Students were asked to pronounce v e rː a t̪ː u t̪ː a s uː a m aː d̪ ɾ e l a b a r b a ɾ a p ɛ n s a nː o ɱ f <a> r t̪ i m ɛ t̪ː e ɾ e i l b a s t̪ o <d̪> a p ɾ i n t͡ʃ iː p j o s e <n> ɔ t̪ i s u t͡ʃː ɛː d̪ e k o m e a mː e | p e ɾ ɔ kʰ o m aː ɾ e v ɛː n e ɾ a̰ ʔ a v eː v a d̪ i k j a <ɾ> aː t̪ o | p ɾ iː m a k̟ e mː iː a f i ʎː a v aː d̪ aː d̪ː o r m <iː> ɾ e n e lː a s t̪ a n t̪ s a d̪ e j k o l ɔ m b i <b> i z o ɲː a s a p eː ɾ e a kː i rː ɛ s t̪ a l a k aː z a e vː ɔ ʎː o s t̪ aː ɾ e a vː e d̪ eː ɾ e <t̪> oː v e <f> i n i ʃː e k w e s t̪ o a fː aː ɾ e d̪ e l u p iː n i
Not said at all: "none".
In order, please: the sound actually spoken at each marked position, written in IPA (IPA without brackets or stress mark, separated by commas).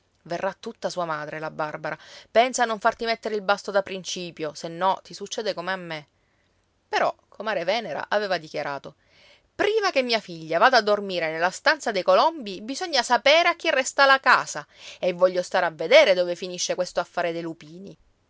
a, d̪, nː, ɾ, iː, b, d̪, f